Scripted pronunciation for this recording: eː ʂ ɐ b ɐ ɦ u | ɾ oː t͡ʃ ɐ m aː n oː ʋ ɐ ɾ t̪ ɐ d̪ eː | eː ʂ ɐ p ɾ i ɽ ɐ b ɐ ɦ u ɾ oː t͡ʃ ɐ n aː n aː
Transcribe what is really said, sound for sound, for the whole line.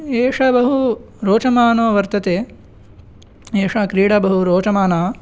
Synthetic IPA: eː ʂ ɐ b ɐ ɦ u | ɾ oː t͡ʃ ɐ m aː n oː ʋ ɐ ɾ t̪ ɐ t̪ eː | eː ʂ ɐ k ɾ iː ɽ ɐ b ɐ ɦ u ɾ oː t͡ʃ ɐ m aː n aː